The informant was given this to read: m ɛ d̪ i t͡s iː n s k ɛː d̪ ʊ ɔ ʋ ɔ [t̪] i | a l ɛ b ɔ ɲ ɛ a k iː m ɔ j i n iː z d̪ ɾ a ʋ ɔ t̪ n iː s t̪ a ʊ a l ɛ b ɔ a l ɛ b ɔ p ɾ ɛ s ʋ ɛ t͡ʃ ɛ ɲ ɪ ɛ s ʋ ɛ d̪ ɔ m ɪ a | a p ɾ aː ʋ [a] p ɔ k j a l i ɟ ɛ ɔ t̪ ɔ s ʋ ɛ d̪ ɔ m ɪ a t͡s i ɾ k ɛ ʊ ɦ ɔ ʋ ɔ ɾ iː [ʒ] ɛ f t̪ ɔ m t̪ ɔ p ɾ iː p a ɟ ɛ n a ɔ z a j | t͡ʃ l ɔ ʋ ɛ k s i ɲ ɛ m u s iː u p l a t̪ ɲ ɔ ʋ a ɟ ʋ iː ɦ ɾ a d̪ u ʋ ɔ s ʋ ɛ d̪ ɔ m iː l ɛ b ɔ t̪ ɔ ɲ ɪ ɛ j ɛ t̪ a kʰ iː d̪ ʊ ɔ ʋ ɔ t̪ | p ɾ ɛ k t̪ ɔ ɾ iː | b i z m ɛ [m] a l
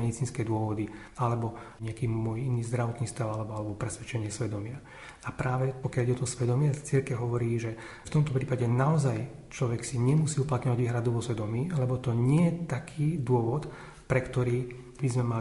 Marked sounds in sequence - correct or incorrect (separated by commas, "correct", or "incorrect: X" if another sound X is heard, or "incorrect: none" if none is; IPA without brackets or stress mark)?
incorrect: d̪, incorrect: ɛ, correct, correct